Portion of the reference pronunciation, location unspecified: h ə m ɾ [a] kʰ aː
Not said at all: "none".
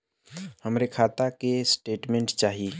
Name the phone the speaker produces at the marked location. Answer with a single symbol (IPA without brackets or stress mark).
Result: e